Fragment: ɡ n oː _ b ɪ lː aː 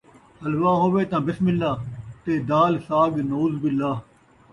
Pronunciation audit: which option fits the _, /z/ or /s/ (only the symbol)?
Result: z